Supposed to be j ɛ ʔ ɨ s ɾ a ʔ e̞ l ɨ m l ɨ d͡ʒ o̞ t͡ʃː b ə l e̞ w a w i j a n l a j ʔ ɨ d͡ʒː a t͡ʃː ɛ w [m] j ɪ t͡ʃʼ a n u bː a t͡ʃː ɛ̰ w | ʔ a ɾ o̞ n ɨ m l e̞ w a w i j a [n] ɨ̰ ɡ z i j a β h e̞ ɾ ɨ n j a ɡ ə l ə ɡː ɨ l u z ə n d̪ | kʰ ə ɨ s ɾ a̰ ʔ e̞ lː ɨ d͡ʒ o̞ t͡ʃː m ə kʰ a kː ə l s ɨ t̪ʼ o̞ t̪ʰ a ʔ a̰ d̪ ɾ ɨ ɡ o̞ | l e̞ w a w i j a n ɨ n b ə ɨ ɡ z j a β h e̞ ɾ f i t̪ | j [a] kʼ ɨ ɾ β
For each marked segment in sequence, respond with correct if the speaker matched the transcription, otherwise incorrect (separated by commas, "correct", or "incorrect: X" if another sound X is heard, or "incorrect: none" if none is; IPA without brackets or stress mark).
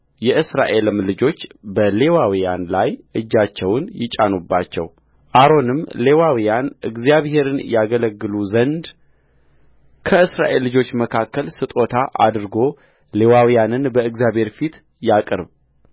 incorrect: n, correct, correct